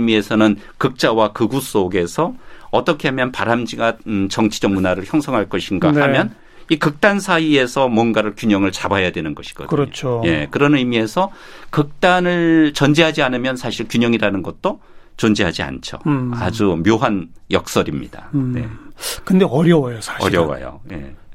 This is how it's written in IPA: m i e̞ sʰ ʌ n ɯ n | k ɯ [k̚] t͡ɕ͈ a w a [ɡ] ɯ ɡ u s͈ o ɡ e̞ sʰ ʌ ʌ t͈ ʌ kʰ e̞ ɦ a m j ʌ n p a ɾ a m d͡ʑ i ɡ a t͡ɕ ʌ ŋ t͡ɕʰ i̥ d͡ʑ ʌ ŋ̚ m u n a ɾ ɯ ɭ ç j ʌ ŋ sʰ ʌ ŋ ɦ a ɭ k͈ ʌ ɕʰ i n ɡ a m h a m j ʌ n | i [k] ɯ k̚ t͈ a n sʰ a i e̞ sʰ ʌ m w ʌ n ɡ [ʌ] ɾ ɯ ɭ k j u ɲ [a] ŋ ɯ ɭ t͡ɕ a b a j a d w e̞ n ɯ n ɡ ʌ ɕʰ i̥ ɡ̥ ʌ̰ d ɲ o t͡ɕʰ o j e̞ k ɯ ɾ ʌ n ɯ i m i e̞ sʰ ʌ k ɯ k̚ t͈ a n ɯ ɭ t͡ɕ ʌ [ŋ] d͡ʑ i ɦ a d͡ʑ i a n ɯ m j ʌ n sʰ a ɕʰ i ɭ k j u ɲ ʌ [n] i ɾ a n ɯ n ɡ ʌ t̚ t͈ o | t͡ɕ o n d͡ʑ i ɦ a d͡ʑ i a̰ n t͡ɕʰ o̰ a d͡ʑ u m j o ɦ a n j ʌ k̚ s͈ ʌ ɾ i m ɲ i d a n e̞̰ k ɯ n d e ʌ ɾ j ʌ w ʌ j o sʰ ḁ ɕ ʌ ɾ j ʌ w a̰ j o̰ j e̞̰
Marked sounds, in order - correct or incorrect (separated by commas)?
correct, incorrect, correct, incorrect, incorrect, incorrect, incorrect